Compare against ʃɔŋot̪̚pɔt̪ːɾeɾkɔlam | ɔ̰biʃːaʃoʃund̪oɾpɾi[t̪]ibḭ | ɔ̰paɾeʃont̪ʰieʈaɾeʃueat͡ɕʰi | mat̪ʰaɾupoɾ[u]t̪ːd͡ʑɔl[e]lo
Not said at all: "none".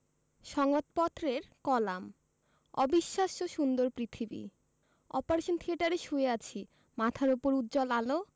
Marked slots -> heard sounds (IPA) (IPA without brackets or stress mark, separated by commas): t̪ʰ, u, a